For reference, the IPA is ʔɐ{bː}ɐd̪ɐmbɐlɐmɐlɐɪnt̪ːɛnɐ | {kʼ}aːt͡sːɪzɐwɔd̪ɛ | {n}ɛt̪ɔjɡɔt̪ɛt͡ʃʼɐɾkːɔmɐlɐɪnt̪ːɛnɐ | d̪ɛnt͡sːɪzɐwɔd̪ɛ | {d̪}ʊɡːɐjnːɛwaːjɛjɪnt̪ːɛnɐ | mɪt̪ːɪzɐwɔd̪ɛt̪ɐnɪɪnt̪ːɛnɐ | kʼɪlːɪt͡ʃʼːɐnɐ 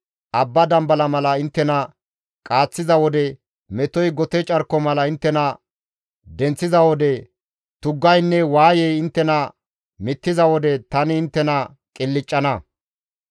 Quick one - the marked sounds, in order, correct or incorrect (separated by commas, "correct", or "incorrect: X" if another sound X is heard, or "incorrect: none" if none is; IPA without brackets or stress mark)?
correct, correct, incorrect: m, incorrect: t̪